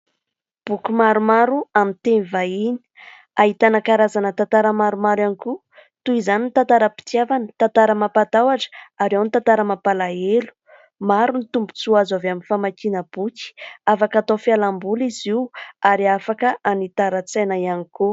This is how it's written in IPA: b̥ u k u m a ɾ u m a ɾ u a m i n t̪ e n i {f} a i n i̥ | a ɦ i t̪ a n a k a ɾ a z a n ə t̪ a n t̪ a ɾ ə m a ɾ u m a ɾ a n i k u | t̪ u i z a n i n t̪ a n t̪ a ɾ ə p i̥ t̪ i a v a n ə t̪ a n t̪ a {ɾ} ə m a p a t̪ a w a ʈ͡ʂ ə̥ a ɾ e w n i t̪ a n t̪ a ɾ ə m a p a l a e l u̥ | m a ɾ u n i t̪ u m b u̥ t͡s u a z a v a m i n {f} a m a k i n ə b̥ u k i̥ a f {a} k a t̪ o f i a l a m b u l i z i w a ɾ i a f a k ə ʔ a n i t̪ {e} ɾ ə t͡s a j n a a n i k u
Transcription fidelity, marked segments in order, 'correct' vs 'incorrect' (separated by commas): incorrect, correct, correct, correct, incorrect